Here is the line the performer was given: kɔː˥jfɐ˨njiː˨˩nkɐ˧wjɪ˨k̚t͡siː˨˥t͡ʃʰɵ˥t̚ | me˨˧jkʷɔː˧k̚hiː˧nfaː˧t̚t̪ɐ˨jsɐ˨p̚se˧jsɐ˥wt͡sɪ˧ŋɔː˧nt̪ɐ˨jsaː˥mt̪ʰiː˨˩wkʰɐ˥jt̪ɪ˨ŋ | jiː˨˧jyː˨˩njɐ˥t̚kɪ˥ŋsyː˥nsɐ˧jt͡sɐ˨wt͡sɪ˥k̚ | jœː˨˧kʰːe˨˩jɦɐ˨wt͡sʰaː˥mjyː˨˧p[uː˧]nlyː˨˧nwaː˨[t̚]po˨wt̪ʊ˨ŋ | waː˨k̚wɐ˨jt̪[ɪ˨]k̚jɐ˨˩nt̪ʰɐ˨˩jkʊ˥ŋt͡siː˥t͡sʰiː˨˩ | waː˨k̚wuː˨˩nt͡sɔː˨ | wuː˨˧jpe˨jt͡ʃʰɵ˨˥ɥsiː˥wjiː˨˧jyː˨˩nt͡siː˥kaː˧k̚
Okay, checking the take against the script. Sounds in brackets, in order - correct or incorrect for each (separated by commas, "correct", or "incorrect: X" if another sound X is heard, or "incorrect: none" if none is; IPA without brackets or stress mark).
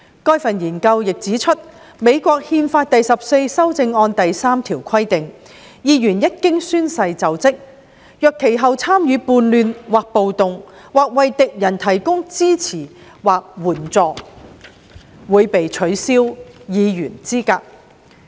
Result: correct, incorrect: k̚, correct